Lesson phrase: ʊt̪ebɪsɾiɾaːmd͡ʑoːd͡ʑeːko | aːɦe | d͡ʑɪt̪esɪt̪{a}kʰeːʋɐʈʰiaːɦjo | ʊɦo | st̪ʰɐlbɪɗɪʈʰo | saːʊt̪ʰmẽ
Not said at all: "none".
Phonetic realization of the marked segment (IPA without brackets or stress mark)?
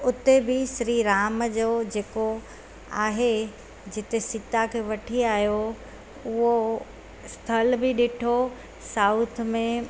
a